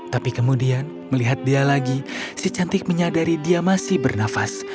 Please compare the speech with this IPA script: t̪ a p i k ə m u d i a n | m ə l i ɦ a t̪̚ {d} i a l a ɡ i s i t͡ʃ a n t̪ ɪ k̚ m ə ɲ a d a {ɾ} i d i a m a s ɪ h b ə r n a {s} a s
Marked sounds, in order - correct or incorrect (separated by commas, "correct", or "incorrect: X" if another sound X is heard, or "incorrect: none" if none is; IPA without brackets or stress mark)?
correct, correct, incorrect: f